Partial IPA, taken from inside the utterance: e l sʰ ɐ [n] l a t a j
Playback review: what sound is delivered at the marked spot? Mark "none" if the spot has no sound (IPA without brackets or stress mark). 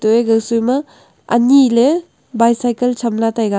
m